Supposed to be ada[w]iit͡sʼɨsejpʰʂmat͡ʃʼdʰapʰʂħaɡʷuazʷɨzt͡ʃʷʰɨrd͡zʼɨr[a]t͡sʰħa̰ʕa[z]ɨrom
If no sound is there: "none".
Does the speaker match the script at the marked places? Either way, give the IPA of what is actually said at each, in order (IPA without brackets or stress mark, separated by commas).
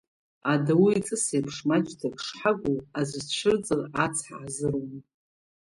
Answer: w, a, z